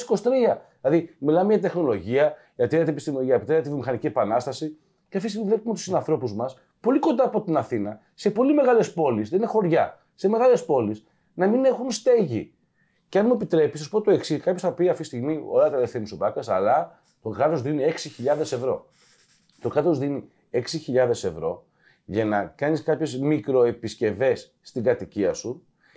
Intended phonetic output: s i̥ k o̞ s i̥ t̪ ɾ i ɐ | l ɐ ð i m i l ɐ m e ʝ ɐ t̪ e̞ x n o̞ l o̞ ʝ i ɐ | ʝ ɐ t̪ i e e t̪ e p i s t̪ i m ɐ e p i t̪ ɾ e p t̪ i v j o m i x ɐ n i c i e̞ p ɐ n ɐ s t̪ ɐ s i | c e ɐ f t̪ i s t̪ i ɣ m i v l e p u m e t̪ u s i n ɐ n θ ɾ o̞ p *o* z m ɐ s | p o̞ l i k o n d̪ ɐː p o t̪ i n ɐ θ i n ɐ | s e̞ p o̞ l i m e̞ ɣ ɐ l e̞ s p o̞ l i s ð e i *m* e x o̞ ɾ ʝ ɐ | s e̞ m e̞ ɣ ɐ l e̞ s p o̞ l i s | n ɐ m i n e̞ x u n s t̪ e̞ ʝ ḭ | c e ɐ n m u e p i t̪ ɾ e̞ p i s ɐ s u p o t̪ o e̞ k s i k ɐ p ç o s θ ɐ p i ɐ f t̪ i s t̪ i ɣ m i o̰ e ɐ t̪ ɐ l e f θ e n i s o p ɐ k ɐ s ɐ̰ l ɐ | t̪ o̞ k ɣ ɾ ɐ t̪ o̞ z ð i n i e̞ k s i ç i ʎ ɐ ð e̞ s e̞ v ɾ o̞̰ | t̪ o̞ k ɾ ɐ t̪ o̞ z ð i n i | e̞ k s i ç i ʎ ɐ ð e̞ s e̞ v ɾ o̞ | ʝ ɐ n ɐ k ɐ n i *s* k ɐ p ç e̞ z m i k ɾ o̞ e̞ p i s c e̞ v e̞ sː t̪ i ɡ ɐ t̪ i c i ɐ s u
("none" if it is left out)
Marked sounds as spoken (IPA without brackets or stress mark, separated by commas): u, n, s